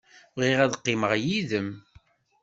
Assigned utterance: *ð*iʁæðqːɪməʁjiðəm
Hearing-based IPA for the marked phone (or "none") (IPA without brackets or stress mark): ʁ